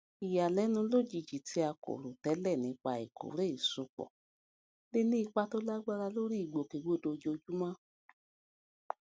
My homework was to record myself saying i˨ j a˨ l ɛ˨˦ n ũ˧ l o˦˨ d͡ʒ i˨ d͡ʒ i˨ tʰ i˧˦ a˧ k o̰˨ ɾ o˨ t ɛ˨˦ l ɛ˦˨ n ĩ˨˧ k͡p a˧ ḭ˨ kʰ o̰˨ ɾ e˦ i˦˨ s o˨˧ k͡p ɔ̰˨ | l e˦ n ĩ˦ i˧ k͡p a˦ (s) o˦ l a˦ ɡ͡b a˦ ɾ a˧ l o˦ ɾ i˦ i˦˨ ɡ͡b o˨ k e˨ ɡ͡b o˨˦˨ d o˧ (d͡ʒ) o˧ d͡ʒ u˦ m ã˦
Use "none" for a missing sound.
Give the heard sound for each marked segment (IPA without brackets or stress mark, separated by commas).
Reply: t, d͡ʒ